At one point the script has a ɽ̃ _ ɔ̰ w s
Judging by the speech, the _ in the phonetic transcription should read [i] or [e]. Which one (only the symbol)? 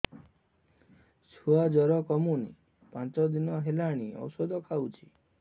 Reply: i